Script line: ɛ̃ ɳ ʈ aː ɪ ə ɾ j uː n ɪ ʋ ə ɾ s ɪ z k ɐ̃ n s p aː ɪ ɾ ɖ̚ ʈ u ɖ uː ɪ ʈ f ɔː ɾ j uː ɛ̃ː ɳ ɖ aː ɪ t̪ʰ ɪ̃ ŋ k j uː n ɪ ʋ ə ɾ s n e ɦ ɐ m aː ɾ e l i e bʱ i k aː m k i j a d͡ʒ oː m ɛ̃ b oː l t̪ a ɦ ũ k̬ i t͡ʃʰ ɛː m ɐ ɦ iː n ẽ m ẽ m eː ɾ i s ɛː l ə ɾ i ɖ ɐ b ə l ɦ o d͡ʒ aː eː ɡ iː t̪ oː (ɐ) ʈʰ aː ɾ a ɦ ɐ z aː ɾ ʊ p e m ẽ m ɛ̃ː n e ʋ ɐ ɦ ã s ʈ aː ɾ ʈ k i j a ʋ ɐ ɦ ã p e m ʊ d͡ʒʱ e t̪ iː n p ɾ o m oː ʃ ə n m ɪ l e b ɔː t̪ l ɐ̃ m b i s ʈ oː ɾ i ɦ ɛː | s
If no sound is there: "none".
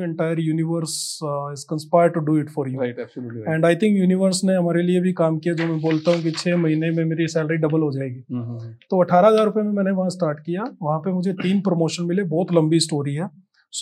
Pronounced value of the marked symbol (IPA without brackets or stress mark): ɐ